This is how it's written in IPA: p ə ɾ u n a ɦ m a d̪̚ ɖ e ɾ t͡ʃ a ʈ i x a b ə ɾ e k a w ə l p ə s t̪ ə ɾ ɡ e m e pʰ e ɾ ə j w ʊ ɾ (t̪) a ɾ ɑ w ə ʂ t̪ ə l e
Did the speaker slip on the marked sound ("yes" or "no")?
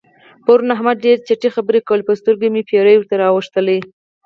no